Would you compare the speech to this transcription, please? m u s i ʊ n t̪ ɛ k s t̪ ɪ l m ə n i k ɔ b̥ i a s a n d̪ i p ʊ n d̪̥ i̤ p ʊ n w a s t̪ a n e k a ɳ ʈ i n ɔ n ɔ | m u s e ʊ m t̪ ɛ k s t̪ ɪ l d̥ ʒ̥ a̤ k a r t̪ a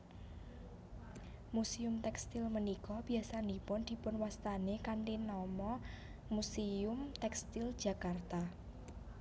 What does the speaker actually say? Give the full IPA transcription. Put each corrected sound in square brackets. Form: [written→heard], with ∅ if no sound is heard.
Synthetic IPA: m u s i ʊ [n→m] t̪ ɛ k s t̪ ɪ l m ə n i k ɔ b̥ i a s a n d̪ i p ʊ n d̪̥ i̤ p ʊ n w a s t̪ a n e k a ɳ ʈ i n ɔ [n→m] ɔ | m u s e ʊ m t̪ ɛ k s t̪ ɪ l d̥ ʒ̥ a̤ k a r t̪ a